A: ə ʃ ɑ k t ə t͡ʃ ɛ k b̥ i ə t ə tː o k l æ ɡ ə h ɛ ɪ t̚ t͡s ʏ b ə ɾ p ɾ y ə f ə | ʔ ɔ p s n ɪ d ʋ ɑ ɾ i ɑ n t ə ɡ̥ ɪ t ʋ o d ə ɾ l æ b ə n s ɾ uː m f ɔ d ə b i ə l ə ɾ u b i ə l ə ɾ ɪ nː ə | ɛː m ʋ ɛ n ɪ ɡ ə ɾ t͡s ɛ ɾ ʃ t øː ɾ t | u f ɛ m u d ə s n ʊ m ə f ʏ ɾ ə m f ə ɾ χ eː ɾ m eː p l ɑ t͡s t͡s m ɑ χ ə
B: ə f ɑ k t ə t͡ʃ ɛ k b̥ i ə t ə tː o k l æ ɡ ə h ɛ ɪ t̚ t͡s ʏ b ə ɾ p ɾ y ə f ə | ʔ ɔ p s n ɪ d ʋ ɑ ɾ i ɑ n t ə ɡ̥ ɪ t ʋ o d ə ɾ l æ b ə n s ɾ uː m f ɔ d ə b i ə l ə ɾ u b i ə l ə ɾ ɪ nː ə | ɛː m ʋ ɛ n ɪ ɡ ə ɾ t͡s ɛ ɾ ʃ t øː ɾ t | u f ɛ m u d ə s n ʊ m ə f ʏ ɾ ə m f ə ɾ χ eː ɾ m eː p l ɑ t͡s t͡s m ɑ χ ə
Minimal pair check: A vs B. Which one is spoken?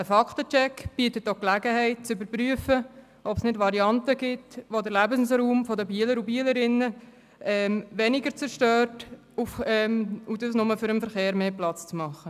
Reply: B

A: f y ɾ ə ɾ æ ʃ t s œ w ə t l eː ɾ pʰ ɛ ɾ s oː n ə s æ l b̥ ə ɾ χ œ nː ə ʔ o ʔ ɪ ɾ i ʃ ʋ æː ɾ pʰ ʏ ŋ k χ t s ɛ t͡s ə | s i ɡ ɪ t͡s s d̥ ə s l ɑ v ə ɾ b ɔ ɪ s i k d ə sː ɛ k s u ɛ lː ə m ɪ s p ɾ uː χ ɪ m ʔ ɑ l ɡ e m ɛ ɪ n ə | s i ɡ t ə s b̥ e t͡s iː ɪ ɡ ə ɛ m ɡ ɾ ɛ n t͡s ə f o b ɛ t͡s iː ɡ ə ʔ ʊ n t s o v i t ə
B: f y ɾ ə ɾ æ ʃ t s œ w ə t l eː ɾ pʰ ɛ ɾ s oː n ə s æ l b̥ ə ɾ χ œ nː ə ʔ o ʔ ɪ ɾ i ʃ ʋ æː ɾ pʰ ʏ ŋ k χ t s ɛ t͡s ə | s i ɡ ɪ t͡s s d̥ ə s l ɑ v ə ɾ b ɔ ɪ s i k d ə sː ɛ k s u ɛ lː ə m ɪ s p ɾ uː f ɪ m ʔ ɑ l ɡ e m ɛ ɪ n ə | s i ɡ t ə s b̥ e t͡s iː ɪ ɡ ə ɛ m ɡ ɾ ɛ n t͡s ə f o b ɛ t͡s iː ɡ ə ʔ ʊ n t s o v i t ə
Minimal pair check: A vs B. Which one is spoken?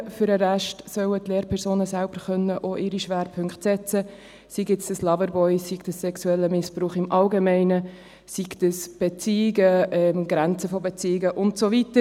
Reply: A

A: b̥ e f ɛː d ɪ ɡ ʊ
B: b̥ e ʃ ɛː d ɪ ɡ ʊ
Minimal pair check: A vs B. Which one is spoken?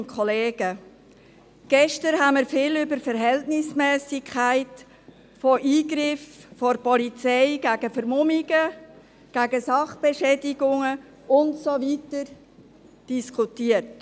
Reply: B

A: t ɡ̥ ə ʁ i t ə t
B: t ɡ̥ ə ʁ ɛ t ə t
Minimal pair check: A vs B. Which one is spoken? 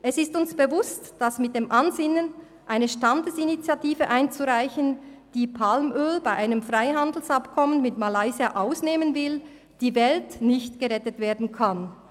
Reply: B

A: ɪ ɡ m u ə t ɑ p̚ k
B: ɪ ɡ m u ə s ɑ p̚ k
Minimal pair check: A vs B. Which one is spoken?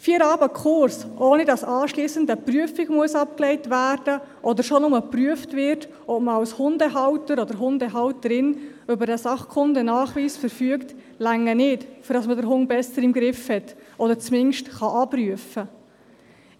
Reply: B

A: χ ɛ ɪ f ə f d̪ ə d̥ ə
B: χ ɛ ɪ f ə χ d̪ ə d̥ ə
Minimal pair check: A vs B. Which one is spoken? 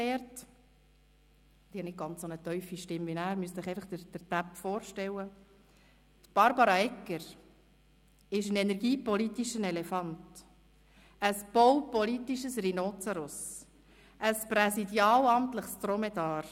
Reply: B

